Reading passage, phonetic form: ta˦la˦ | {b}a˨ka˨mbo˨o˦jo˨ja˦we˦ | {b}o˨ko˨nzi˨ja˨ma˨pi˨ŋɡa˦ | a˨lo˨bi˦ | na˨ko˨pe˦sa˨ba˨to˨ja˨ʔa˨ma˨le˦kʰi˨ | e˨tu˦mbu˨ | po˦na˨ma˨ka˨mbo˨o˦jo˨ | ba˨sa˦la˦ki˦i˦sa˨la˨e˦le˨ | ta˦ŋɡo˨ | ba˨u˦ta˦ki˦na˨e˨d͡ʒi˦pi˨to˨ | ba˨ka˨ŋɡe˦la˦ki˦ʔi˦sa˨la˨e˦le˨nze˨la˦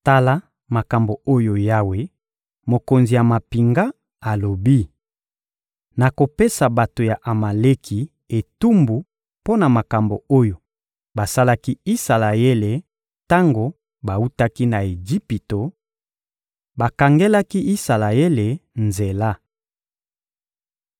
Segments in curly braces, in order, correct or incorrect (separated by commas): incorrect, incorrect